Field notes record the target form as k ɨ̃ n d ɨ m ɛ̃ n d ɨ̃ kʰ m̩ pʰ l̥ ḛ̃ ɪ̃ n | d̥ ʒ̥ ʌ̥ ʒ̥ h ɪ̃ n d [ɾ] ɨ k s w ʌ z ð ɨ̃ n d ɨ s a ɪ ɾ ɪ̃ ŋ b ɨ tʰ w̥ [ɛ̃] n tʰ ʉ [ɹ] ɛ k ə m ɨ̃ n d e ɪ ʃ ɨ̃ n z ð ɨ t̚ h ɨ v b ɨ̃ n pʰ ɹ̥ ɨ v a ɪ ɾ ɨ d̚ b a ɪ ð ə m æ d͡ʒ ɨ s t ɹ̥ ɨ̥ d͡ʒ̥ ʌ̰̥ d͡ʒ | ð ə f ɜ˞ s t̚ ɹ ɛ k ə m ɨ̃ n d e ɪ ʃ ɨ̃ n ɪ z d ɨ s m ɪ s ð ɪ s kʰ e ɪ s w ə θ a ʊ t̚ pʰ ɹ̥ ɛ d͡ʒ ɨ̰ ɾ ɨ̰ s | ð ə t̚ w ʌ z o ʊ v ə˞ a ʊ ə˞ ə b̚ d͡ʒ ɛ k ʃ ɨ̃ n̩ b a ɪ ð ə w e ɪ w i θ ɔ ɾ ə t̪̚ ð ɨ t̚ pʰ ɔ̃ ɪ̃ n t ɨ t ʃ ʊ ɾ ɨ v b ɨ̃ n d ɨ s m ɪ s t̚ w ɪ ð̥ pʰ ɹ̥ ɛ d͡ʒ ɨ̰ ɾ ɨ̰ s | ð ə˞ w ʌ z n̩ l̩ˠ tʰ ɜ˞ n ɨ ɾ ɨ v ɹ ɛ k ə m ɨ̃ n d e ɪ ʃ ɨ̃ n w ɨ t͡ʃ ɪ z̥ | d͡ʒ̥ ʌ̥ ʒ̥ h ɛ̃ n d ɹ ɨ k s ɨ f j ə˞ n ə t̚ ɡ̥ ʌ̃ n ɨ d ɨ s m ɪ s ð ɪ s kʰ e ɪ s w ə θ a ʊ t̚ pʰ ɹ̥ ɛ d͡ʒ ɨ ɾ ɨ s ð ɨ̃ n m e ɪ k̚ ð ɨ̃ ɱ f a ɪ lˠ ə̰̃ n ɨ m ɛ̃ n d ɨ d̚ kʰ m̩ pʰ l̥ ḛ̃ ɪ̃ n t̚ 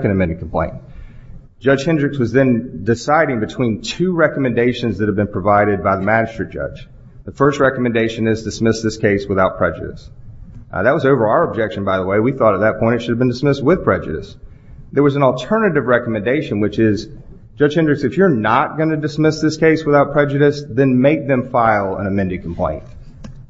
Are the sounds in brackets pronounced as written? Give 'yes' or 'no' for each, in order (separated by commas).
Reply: no, no, yes